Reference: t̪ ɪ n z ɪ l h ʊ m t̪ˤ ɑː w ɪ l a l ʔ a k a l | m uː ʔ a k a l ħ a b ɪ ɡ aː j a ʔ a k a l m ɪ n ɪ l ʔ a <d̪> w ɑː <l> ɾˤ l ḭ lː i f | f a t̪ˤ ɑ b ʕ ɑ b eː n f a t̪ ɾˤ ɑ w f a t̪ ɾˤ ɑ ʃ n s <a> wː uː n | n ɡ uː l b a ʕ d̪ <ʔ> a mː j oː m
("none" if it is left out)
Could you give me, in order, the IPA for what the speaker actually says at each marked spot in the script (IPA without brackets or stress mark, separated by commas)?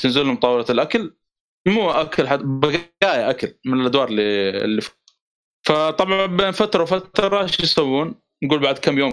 d̪, none, a, k